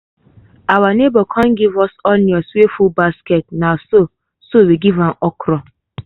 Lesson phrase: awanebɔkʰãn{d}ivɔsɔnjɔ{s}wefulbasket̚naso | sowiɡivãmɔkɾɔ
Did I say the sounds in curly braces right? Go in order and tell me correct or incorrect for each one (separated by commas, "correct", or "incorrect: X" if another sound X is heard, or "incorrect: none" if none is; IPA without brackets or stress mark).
incorrect: ɡ, correct